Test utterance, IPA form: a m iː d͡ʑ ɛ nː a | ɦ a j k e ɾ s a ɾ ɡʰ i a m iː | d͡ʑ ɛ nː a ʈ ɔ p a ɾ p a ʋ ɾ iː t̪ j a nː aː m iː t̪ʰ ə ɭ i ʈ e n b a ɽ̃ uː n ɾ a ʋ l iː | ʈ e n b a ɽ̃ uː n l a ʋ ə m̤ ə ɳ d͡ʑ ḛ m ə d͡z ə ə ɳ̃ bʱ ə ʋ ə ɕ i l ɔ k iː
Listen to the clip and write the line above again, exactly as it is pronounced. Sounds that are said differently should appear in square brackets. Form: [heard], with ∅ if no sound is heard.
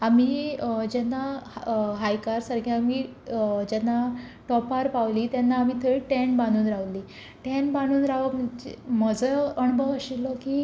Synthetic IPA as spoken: a m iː d͡ʑ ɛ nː a | ɦ a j k [a] ɾ s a ɾ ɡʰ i a m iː | d͡ʑ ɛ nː a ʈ ɔ p a ɾ p a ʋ [l] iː t̪ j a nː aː m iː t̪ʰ ə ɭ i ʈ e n b a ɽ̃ uː n ɾ a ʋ l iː | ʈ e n b a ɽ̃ uː n [ɾ] a ʋ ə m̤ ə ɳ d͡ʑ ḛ m ə d͡z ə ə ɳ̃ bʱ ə ʋ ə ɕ i l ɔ k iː